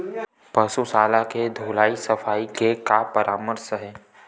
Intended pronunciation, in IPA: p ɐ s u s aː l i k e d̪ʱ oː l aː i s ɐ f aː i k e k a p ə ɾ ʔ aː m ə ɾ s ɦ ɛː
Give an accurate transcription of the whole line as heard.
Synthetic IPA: p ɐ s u s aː l a k e d̪ʱ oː l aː i s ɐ f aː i k e k a p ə ɾ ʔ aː m ə ɾ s ɦ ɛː